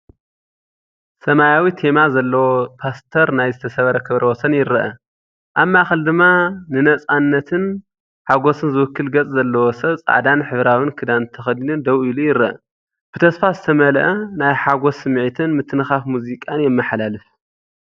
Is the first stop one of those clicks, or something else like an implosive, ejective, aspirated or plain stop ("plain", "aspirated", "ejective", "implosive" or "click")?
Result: aspirated